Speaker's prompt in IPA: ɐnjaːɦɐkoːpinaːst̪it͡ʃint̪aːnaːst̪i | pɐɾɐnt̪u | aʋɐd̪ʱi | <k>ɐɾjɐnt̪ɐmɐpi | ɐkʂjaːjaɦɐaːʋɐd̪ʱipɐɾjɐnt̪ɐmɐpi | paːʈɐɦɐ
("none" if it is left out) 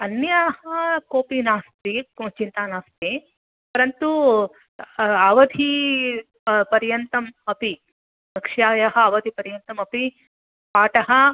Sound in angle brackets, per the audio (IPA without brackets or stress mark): p